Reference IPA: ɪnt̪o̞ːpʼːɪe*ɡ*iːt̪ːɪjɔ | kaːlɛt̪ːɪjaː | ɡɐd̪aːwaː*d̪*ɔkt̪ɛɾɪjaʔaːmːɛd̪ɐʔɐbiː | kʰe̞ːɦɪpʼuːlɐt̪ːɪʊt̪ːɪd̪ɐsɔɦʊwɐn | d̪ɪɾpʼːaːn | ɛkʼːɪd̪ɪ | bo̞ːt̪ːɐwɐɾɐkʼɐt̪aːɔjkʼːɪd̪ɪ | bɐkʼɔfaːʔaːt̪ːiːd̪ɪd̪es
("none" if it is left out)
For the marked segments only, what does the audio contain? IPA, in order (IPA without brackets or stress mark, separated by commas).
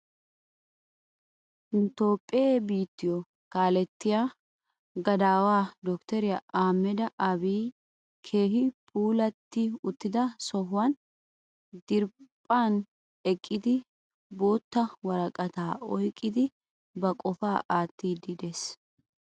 b, d̪